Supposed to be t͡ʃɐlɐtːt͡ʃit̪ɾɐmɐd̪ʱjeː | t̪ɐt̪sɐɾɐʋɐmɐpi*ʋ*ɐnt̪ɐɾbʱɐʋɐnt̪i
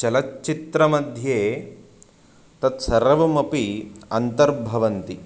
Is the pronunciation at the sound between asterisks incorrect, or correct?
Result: incorrect